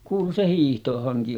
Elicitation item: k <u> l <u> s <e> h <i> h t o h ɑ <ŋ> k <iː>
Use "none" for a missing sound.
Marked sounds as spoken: uː, u, e, iː, ŋ, i

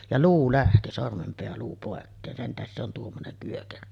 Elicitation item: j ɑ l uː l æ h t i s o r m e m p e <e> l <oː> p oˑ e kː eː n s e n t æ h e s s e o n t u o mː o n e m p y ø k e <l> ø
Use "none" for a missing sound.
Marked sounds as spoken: æ, uː, r

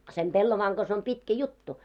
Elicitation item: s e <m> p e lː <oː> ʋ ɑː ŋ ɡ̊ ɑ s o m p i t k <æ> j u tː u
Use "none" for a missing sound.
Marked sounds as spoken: m, o, æ

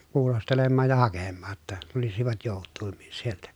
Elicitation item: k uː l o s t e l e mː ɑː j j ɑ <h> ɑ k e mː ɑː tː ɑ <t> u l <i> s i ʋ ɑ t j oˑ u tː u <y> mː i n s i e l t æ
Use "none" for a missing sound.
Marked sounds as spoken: h, t, i, i

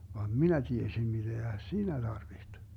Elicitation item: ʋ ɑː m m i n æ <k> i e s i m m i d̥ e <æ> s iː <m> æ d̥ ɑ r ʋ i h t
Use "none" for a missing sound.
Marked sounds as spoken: t, æ, n

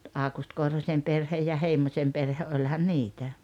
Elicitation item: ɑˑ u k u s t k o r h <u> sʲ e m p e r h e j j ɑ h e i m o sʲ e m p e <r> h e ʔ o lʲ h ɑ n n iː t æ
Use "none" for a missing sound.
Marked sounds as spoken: o, r

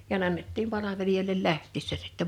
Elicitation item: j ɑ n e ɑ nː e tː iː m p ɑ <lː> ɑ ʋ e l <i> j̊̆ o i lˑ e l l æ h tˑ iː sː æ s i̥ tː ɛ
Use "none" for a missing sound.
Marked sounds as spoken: l, i

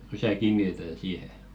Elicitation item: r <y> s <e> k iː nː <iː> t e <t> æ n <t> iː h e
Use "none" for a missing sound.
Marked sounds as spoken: y, æ, i, t, s

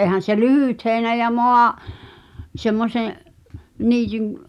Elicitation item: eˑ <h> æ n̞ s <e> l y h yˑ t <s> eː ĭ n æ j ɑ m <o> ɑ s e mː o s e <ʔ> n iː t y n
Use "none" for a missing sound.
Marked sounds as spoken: h, e, h, o, ʔ

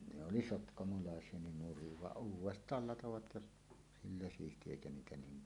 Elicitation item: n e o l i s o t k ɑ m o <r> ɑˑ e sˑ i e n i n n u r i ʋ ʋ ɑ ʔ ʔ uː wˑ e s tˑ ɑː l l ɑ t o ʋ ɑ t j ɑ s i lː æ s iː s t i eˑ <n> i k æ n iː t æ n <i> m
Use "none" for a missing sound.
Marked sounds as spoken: l, none, iː

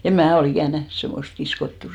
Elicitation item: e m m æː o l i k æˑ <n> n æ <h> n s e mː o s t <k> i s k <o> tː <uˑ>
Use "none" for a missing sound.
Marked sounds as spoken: n, h, k, o, uˑ

